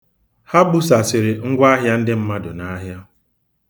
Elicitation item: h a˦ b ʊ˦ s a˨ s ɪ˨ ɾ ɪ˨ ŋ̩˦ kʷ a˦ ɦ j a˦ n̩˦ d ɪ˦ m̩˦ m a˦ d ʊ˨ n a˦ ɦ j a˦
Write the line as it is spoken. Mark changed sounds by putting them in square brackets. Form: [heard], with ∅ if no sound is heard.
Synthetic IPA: h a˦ b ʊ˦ s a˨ s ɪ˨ ɾ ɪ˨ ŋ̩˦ [ɡʷ] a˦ ɦ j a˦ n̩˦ d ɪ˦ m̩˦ m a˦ d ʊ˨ n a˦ ɦ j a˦